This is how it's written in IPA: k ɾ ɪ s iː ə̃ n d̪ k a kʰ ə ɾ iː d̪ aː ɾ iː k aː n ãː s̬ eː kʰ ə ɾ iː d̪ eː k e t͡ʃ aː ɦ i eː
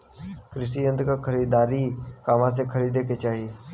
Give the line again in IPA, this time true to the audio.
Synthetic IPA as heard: k ɾ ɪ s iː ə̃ n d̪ k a kʰ ə ɾ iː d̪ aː ɾ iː k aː m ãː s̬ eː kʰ ə ɾ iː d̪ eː k e t͡ʃ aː ɦ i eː